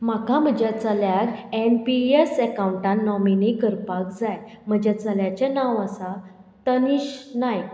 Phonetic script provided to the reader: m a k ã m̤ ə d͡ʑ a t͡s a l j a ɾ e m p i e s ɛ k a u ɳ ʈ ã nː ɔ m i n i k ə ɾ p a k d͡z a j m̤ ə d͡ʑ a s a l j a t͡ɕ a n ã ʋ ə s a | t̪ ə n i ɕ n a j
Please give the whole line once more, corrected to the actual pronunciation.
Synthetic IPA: m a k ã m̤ ə d͡ʑ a t͡s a l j a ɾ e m p i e s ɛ k a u ɳ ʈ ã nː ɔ m i n i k ə ɾ p a k d͡z a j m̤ ə d͡ʑ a t͡s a l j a t͡ɕ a n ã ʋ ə s a | t̪ ə n i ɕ n a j